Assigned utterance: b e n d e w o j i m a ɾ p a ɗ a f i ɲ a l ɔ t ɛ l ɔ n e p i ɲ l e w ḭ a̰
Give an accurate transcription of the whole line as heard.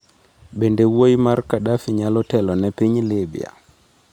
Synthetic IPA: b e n d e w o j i m a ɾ k a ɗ a f i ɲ a l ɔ t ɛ l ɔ n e p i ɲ l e b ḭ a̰